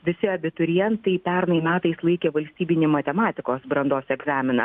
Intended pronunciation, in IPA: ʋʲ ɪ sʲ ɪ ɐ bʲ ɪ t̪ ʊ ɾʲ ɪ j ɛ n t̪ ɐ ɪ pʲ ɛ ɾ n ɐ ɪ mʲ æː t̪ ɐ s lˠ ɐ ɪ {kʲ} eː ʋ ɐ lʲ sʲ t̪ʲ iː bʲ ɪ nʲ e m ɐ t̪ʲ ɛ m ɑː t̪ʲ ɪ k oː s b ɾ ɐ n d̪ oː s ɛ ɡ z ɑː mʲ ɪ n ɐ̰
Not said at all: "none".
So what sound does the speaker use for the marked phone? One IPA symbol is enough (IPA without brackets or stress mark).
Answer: kʲ